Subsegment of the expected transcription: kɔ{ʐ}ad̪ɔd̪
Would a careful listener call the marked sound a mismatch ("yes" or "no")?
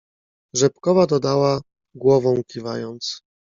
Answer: yes